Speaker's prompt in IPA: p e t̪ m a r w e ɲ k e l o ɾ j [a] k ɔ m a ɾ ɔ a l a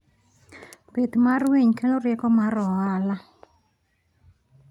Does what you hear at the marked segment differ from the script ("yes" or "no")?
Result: yes